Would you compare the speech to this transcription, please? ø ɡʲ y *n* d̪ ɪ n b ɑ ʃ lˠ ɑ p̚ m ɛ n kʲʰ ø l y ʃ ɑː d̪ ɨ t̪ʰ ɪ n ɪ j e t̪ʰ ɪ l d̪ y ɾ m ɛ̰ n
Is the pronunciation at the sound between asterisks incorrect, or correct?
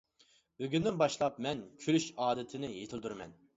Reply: correct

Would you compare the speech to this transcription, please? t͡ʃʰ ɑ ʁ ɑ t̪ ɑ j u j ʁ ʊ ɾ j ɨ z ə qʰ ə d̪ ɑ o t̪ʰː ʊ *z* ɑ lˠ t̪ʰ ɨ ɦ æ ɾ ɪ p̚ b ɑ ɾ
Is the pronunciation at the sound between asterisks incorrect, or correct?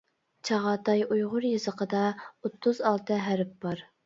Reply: correct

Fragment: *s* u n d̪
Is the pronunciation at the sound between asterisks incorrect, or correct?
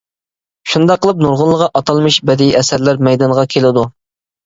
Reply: incorrect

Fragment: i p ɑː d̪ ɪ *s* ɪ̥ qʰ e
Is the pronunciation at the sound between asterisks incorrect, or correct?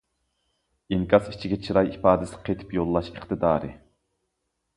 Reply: correct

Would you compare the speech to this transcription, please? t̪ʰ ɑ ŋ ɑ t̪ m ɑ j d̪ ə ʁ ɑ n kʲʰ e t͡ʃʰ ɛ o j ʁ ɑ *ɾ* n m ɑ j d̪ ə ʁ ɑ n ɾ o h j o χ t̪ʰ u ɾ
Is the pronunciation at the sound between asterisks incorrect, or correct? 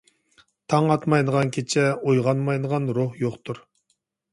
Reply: incorrect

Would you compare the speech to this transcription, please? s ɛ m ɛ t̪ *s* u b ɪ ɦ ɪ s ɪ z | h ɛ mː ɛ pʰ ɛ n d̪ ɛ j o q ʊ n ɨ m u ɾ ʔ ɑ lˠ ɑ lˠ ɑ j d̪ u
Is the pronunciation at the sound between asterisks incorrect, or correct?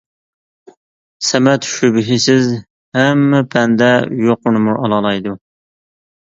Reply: incorrect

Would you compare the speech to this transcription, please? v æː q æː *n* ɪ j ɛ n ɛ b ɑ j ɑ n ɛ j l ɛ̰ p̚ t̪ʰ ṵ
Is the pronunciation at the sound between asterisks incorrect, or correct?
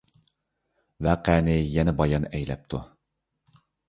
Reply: correct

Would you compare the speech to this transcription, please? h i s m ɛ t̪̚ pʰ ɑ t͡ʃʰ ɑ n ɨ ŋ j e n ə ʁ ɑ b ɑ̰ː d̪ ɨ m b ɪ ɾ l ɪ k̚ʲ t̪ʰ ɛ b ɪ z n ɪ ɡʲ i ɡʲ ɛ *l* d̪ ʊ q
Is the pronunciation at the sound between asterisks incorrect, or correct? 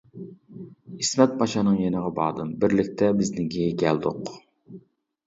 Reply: correct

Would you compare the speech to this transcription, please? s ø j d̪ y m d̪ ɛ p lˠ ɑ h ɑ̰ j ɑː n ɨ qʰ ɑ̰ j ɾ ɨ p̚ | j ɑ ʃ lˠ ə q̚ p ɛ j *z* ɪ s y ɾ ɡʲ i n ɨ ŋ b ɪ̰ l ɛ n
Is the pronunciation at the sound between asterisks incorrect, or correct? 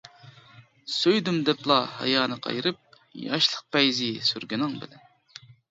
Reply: correct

